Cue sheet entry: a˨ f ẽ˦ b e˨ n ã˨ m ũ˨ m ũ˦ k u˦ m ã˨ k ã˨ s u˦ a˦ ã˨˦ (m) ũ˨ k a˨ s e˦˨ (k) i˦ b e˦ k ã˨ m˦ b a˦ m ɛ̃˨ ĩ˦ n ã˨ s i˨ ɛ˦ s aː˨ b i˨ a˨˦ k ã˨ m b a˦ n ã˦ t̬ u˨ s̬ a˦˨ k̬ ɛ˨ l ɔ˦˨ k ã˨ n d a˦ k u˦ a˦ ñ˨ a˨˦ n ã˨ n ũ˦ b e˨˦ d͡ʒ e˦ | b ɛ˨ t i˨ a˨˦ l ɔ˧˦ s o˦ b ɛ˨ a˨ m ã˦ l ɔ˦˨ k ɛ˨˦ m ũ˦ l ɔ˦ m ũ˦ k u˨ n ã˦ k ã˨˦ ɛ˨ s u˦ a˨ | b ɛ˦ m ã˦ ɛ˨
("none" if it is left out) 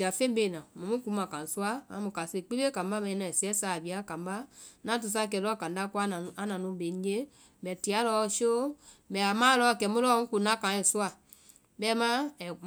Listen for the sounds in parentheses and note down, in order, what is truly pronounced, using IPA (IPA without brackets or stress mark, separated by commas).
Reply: m, k͡p